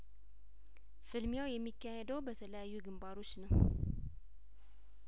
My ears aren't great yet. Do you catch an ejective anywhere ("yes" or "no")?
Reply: no